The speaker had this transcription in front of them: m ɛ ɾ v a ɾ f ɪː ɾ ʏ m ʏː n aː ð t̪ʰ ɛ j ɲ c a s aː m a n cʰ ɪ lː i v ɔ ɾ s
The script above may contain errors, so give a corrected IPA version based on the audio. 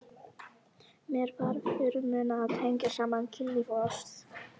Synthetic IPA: m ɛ ɾ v a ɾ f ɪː ɾ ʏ m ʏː n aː ð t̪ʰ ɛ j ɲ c a s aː m a n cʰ ɪ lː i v ɔ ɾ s